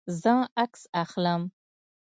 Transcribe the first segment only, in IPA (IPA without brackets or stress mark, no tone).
z